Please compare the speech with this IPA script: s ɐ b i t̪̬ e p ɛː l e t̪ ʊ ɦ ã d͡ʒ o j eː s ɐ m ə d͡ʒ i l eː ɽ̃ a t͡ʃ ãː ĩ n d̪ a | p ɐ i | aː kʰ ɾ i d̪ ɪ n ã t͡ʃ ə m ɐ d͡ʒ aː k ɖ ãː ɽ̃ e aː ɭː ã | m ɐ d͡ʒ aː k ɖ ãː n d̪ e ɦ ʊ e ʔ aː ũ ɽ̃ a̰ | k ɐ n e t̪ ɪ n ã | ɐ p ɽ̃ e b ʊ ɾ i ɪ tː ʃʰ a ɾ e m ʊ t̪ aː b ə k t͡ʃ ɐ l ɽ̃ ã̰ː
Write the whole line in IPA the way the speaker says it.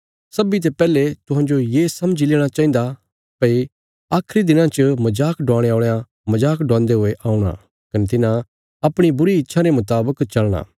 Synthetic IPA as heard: s ɐ b i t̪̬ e p ɛː l e t̪ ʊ ɦ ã d͡ʒ o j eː s ɐ m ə d͡ʒ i l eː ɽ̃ a t͡ʃ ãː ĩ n d̪ a | p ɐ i | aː kʰ ɾ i d̪ ɪ n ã t͡ʃ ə m ɐ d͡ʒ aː k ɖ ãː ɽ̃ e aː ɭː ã | m ɐ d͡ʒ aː k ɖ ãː n d̪ e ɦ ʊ e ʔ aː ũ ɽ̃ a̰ | k ɐ n e t̪ ɪ n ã | ɐ p ɽ̃ i b ʊ ɾ i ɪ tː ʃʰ a ɾ e m ʊ t̪ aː b ə k t͡ʃ ɐ l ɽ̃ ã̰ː